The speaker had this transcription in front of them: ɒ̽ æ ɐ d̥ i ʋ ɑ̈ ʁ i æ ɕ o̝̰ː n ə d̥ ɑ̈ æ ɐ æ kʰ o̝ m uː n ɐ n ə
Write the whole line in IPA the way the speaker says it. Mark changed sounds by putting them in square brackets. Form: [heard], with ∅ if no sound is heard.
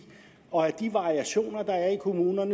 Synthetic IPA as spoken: ɒ̽ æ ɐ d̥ i ʋ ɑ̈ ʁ i æ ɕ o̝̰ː n [ɐ] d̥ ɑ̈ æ ɐ [i] kʰ o̝ m uː n ɐ n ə